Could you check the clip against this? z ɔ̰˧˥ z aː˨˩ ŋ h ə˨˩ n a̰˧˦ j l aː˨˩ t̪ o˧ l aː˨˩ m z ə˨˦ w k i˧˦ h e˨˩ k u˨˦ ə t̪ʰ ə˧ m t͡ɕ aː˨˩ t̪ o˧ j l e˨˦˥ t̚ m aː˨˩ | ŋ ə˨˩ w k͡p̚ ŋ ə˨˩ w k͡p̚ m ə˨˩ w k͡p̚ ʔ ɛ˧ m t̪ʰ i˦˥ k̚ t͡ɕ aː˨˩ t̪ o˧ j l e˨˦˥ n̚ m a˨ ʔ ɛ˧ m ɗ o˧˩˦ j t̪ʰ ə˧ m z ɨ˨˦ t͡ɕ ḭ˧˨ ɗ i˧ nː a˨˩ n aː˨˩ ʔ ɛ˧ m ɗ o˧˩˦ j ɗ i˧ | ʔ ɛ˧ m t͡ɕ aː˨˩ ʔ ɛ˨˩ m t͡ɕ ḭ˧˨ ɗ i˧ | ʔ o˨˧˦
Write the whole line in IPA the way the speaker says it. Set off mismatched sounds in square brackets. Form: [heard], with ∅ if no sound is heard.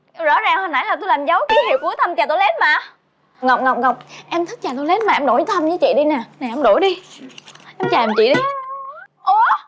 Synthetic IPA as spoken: z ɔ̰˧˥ z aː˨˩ ŋ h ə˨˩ n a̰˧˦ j l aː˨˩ t̪ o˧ l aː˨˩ m z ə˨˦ w k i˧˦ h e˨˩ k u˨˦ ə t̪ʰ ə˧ m t͡ɕ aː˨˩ t̪ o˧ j l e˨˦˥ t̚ m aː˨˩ | ŋ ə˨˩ w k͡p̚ ŋ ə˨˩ w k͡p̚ [ŋ] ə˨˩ w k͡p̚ ʔ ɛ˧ m t̪ʰ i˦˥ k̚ t͡ɕ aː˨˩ t̪ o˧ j l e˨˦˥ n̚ m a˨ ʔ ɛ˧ m ɗ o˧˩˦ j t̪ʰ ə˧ m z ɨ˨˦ t͡ɕ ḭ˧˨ ɗ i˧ [n] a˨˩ n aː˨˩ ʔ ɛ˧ m ɗ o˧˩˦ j ɗ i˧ | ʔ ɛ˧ m t͡ɕ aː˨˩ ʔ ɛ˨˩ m t͡ɕ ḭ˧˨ ɗ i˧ | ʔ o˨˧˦